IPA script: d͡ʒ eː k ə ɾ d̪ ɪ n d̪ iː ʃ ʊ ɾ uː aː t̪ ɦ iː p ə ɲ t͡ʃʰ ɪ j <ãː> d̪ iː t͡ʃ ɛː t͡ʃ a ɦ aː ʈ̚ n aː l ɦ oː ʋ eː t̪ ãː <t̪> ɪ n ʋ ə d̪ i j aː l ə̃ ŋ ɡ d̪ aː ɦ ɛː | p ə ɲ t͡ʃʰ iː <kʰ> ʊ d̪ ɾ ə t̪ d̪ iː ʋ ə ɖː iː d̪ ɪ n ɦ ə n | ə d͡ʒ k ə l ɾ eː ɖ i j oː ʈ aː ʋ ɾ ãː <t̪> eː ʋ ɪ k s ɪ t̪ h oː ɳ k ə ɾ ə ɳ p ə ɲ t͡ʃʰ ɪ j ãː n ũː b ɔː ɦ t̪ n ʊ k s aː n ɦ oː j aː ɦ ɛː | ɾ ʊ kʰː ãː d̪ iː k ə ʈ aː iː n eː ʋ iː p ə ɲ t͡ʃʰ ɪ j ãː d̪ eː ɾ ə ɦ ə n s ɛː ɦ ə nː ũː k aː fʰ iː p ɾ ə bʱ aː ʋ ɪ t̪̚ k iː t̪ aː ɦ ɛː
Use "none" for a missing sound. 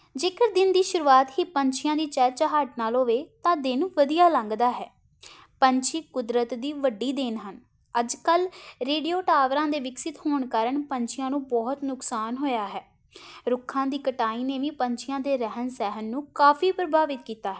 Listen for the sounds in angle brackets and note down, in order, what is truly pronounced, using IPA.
ãː, d̪, k, d̪

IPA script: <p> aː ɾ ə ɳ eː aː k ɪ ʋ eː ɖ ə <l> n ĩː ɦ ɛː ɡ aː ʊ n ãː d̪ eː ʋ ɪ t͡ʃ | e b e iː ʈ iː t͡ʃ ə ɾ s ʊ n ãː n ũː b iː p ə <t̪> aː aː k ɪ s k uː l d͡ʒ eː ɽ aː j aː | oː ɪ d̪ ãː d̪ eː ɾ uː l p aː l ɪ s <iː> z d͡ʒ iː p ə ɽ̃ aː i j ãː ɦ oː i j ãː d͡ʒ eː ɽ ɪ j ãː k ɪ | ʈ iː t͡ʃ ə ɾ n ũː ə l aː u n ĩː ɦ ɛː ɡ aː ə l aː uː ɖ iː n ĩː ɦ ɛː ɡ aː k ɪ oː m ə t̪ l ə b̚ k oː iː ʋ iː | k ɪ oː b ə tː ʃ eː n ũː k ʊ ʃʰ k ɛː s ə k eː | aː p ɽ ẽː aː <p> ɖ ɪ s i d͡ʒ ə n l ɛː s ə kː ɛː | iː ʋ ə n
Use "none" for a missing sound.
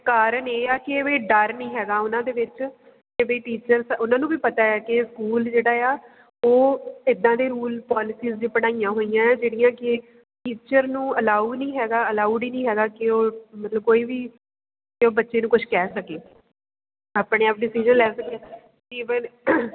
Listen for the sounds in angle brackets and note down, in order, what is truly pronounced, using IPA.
k, ɾ, t̪, iː, p

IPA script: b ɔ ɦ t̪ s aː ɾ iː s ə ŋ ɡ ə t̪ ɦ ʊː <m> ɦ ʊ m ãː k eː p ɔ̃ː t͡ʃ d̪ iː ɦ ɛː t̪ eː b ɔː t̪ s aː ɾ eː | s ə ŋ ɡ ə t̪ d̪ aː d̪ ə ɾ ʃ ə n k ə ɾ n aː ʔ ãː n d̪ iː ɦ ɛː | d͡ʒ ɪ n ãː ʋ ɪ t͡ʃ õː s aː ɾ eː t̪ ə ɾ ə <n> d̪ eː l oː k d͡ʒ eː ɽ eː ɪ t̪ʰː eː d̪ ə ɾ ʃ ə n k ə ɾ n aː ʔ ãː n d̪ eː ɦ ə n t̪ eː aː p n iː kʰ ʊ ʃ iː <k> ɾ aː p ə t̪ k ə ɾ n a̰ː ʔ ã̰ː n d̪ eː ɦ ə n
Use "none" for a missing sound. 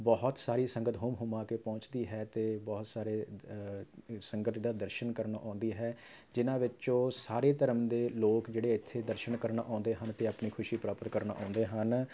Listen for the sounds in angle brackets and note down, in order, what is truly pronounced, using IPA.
m, m, p

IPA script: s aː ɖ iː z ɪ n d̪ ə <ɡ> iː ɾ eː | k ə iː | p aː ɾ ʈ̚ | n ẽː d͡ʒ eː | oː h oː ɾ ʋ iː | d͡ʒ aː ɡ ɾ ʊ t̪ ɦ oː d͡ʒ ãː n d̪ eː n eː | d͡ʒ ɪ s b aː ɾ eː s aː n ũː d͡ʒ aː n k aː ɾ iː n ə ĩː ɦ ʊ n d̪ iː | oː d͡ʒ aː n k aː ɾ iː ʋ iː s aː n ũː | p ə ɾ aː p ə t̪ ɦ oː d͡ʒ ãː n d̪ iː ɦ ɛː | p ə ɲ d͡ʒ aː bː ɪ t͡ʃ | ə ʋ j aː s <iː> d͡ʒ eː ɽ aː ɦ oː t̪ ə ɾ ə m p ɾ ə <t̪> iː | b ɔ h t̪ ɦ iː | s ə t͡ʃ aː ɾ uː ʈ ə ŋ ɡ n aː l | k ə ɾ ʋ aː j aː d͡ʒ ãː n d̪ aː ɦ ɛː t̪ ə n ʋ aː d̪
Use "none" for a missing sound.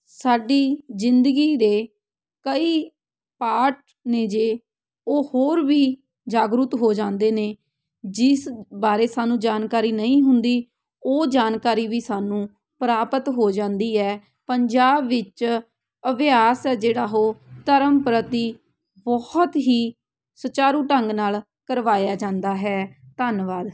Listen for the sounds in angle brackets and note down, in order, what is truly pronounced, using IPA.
ɡ, ɛː, t̪

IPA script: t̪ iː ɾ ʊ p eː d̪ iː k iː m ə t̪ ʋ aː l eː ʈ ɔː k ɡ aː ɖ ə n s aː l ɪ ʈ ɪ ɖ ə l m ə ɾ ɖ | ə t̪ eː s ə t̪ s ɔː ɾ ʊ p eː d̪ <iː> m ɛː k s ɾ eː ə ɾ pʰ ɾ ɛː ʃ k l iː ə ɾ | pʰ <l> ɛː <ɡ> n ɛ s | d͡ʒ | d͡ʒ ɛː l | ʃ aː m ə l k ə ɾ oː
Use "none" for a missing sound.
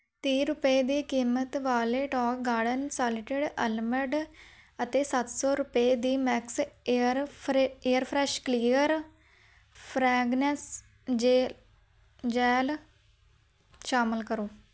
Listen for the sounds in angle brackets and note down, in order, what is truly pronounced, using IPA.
iː, ɾ, ɡ

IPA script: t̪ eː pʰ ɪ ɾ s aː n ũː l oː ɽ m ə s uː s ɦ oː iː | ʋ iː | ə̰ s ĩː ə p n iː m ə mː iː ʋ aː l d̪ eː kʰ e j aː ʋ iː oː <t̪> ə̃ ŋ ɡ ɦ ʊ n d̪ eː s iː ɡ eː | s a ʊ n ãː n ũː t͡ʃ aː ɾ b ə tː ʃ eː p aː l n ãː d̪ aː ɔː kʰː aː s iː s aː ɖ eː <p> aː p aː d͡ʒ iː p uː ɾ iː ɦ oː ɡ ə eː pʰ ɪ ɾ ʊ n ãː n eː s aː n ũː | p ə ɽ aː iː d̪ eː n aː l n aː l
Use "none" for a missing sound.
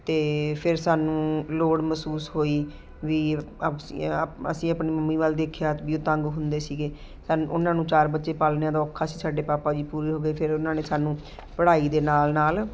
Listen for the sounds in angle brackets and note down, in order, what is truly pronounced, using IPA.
t̪, p

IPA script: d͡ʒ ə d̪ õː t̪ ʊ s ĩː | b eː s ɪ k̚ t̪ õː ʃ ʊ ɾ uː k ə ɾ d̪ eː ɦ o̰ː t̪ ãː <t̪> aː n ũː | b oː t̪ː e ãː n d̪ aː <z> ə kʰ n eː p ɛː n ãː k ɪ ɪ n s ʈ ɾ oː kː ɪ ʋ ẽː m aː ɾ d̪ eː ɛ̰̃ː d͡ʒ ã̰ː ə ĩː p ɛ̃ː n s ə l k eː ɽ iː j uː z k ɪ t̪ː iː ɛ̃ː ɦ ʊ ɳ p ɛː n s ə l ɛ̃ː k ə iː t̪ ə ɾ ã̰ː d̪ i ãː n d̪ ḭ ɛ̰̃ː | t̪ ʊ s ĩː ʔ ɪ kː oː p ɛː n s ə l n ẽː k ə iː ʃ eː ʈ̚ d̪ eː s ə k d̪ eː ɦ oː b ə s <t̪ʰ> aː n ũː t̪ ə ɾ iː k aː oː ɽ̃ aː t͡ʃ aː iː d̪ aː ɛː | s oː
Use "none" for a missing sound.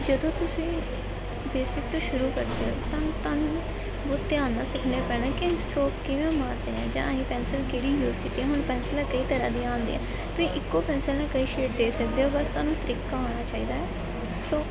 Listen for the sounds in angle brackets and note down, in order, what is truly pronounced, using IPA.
t̪, s, t̪

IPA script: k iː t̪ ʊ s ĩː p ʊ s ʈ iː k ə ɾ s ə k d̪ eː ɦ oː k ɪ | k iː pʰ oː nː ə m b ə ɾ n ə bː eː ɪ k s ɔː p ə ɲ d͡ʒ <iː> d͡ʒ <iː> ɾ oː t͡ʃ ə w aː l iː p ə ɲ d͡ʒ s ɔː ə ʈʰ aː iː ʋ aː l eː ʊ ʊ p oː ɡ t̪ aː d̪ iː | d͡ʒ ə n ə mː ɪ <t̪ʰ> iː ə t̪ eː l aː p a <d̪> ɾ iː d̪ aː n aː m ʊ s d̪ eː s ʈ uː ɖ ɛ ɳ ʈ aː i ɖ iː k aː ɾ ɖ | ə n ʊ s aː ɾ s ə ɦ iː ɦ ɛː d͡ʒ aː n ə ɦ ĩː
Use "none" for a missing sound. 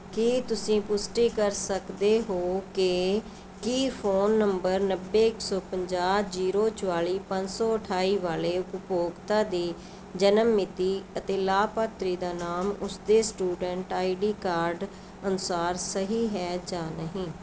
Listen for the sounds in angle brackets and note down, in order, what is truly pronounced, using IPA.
aː, iː, t̪, t̪

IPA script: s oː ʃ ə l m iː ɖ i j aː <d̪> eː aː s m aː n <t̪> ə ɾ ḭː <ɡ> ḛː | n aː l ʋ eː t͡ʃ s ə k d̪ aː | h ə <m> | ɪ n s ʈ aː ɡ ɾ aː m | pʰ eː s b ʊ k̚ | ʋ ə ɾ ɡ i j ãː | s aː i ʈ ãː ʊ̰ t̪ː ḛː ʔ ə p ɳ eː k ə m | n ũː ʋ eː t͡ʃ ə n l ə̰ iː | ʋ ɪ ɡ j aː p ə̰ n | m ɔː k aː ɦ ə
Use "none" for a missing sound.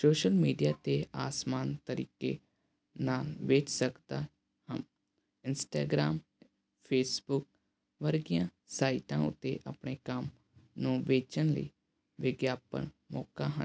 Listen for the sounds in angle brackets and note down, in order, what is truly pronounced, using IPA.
t̪, t̪, k, m

